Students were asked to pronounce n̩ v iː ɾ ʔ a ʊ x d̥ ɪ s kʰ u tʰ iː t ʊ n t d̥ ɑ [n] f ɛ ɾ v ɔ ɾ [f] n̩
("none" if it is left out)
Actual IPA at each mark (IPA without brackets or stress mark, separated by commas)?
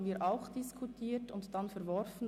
n, f